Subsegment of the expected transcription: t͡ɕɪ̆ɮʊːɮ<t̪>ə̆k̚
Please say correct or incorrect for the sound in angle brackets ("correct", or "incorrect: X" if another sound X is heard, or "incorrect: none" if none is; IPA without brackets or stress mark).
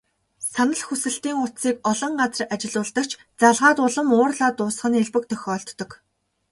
correct